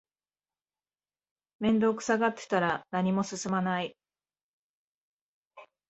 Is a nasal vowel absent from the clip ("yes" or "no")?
no